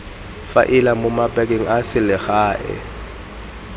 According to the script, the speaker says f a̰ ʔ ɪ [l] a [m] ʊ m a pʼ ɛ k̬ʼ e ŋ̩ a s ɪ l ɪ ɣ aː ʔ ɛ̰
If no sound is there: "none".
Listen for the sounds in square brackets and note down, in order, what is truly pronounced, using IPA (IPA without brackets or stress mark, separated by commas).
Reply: l, m